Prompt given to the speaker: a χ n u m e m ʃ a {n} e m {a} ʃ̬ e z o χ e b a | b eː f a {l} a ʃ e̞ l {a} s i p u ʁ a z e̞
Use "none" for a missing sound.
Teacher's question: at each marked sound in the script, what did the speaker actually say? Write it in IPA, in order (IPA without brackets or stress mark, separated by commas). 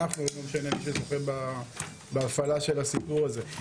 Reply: n, i, l, a